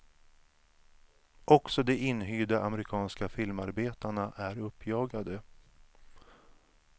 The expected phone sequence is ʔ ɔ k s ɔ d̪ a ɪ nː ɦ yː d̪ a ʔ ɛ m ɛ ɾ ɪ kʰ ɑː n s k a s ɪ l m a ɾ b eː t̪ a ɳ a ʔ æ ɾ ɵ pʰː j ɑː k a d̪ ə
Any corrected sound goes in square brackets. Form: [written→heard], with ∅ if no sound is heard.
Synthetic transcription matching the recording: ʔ ɔ k s ɔ d̪ [a→ɛ] ɪ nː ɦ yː d̪ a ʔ [ɛ→a] m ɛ ɾ ɪ kʰ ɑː n s k a [s→f] ɪ l m a ɾ b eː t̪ a ɳ a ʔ æ ɾ ɵ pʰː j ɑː [k→ɡ] a d̪ ə